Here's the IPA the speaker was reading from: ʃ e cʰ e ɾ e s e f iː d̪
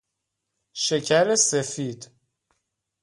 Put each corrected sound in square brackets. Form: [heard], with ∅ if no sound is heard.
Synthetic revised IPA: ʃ e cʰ [æ] ɾ e s e f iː d̪